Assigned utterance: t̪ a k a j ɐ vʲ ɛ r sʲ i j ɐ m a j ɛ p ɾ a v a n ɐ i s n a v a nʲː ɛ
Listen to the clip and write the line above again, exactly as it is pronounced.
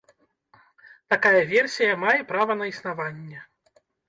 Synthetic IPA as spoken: t̪ a k a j ɐ vʲ ɛ r sʲ i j ɐ m a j ɛ p ɾ a v ɐ n ɐ i s n a v a nʲː ɛ